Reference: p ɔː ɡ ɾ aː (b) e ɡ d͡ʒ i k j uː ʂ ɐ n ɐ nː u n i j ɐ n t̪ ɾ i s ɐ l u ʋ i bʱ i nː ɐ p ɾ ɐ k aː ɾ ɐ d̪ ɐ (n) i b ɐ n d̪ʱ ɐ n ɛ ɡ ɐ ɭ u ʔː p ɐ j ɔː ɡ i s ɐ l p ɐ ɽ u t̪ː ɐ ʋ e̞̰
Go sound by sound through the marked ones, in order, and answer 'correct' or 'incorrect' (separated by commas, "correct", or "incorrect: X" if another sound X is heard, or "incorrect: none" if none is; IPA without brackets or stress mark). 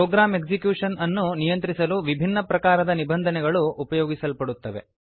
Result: incorrect: m, correct